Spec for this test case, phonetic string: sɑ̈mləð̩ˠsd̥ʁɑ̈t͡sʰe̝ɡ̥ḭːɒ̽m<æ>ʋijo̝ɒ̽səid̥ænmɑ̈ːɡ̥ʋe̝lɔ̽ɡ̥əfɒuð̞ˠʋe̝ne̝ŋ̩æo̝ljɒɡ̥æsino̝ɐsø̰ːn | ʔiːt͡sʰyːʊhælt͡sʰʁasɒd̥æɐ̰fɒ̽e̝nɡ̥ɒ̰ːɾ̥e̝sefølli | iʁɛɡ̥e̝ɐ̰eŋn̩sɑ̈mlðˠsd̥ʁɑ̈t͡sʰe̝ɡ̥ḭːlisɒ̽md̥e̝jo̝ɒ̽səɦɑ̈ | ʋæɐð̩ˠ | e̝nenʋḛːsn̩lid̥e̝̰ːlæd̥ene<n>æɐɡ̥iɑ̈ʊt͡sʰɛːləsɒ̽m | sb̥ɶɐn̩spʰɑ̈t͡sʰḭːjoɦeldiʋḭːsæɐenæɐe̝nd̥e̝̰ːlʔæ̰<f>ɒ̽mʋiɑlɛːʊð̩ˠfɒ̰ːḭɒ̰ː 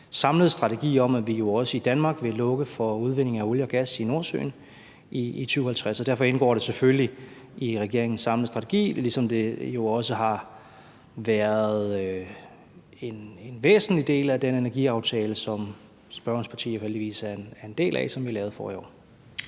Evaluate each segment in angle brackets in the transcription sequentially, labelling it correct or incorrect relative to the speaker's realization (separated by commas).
correct, correct, incorrect